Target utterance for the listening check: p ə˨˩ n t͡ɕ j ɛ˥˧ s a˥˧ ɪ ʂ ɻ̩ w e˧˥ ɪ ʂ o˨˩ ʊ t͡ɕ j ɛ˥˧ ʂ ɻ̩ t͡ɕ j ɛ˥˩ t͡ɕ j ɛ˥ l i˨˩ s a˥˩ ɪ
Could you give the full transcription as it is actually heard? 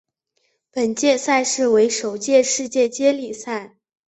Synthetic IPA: p ə˨˩ n t͡ɕ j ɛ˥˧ s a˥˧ ɪ ʂ ɻ̩ w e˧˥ ɪ ʂ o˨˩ ʊ t͡ɕ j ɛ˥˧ ʂ ɻ̩ t͡ɕ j ɛ˥˩ t͡ɕ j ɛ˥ l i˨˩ s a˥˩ ɪ